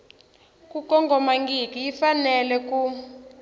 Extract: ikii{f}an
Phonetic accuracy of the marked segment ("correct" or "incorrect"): correct